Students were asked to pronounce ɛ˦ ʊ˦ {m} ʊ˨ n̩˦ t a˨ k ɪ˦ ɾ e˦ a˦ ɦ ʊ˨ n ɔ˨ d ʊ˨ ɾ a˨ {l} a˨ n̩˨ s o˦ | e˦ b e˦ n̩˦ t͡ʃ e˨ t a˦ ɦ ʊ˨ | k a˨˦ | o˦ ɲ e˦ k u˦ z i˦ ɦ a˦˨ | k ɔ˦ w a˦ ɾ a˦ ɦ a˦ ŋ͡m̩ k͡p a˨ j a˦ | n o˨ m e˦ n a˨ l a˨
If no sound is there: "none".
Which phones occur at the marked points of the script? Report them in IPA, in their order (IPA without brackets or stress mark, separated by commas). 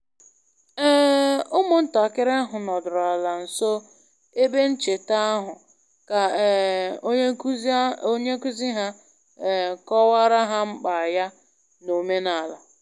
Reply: m, l